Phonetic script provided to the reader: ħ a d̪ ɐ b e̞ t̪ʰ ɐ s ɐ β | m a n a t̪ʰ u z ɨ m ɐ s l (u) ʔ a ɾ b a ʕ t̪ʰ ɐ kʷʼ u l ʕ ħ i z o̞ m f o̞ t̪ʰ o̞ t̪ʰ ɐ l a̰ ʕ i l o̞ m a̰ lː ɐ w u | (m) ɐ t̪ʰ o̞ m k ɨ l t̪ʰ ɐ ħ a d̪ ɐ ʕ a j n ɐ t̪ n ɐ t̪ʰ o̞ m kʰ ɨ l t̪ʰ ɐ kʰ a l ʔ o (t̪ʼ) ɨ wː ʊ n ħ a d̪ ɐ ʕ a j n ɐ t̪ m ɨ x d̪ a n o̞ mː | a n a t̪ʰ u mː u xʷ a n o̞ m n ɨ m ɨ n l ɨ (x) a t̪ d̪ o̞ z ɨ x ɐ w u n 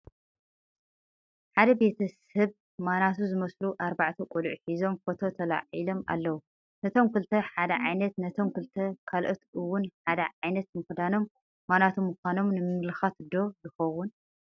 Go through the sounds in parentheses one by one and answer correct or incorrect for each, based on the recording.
correct, incorrect, incorrect, correct

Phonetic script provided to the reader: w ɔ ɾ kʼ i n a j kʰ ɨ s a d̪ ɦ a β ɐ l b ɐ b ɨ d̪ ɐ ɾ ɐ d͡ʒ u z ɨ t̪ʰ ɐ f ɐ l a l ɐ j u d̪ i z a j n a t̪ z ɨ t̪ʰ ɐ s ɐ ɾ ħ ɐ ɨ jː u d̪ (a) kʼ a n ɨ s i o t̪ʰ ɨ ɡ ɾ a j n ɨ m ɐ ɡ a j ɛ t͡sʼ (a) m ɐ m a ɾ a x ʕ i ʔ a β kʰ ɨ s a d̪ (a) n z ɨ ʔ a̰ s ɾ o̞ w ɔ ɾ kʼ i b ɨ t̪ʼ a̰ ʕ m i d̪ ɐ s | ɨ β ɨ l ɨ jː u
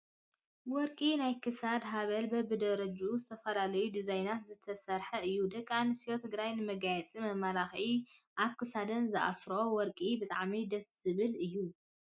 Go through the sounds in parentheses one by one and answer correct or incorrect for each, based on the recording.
incorrect, incorrect, incorrect

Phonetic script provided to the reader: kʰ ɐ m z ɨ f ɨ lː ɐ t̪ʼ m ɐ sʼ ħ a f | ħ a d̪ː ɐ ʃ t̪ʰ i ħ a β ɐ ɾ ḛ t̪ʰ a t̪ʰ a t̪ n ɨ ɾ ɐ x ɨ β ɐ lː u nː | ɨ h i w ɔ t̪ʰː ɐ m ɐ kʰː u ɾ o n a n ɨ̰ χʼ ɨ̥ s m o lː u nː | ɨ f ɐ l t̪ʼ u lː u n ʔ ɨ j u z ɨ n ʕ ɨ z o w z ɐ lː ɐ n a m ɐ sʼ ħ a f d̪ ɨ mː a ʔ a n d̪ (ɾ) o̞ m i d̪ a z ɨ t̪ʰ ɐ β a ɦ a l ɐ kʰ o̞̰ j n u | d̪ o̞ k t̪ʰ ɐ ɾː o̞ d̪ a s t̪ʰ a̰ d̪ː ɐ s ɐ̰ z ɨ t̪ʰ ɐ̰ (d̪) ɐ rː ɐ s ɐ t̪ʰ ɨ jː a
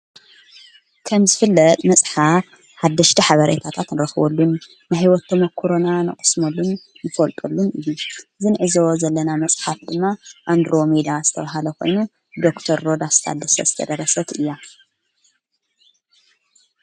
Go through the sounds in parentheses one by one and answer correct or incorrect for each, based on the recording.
correct, correct

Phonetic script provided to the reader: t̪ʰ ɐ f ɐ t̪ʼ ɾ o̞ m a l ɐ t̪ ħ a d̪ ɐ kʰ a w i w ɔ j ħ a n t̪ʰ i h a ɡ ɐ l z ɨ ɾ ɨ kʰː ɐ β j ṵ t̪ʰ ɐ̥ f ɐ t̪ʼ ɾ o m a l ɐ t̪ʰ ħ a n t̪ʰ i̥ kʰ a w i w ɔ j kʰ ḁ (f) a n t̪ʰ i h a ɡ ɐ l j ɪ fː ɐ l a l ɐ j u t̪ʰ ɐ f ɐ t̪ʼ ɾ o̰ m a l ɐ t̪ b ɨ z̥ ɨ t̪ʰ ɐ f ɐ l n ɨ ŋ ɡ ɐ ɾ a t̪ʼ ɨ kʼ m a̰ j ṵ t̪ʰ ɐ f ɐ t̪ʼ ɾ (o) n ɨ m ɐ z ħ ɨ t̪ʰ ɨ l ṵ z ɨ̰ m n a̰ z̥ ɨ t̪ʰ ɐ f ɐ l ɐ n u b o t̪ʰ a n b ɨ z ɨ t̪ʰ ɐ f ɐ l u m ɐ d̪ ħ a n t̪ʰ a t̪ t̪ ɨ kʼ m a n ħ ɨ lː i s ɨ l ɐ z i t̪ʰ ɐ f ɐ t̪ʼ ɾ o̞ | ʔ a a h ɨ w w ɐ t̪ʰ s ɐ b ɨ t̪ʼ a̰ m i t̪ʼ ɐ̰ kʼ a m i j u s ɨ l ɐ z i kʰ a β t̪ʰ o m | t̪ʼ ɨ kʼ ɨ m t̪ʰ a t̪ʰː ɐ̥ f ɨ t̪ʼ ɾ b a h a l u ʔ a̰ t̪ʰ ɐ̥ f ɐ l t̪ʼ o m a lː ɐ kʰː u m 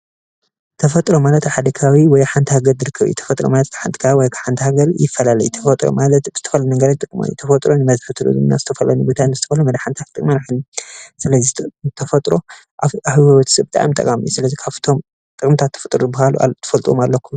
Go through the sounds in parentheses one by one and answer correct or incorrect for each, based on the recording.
incorrect, correct

